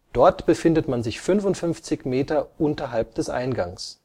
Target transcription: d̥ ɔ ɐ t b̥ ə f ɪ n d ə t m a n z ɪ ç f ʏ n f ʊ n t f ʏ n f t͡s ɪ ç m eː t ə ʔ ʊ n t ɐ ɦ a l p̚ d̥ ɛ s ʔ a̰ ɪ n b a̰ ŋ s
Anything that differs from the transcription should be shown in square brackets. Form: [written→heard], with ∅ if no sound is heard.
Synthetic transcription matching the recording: d̥ ɔ ɐ t b̥ ə f ɪ n d ə t m a n z ɪ ç f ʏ n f ʊ n t f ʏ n f t͡s ɪ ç m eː t [ə→ɐ] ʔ ʊ n t ɐ ɦ a l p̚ d̥ ɛ s ʔ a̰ ɪ n [b→ɡ] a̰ ŋ s